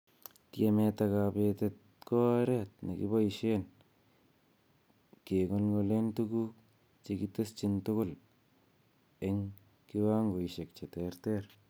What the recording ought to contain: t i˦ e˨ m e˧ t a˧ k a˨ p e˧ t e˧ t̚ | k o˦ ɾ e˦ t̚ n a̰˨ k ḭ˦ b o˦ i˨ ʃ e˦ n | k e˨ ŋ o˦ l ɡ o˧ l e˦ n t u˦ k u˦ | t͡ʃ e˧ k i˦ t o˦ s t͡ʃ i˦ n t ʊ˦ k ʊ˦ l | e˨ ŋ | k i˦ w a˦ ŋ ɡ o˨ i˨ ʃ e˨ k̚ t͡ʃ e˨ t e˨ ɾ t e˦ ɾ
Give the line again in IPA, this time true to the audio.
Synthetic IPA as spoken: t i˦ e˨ m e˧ t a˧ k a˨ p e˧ t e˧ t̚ | k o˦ ɾ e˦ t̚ n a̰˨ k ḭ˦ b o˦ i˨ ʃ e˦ n | k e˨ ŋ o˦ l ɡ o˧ l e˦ n t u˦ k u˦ | t͡ʃ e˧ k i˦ t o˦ s t͡ʃ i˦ n t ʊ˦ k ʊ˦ l | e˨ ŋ | k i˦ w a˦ ŋ ɡ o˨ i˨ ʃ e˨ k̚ t͡ʃ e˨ t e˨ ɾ t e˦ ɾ